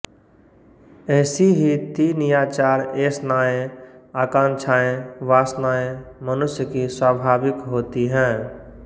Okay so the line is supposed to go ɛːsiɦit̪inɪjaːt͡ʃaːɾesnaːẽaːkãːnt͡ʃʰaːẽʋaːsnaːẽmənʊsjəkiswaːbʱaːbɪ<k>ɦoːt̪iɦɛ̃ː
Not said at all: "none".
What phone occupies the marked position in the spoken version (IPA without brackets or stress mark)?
k